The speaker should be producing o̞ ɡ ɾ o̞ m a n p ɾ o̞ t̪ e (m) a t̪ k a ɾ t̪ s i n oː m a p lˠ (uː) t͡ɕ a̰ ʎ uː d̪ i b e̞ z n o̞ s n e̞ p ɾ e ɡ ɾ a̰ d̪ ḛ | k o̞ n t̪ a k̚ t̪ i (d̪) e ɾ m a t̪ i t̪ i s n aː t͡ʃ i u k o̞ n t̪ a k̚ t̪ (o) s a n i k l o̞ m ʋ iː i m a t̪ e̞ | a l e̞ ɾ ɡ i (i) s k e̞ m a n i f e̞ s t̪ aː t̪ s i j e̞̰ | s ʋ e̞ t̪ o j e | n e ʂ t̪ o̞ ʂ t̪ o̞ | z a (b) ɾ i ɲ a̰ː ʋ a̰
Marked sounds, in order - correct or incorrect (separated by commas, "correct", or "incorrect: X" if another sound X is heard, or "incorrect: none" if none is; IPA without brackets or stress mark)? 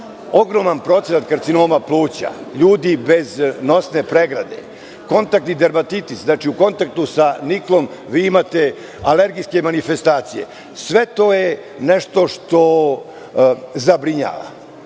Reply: incorrect: n, correct, correct, incorrect: u, incorrect: j, correct